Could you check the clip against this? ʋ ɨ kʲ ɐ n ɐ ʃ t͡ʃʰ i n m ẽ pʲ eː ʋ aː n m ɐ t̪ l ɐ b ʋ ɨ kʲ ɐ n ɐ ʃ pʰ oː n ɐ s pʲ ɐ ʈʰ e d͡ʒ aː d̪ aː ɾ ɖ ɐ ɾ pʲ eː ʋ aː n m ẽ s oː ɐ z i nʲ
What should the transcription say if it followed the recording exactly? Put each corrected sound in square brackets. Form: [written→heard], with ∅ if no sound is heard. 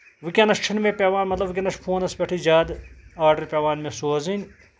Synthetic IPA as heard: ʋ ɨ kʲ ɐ n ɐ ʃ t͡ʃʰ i n m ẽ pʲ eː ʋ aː n m ɐ t̪ l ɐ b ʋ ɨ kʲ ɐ n ɐ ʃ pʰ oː n ɐ s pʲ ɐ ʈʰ [e→i] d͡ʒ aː d̪ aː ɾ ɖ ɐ ɾ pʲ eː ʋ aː n m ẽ s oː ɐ z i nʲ